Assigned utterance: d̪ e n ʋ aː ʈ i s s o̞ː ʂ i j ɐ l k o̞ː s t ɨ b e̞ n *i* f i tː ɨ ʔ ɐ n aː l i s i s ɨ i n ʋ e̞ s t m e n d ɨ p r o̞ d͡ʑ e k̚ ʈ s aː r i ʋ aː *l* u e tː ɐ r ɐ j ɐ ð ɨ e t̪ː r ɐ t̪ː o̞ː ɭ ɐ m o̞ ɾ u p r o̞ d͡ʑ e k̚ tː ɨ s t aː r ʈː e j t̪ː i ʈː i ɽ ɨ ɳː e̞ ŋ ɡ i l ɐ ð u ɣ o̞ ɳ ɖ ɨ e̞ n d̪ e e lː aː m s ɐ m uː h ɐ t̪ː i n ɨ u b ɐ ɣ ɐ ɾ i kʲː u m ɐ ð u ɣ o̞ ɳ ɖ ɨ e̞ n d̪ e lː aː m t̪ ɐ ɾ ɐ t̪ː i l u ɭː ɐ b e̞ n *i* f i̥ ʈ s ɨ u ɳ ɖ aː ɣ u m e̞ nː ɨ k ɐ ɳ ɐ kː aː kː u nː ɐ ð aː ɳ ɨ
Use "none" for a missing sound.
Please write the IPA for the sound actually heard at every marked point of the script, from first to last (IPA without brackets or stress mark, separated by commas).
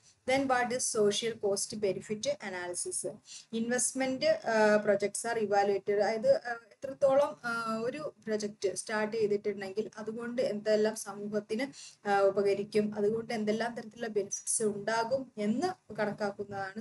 i, l, i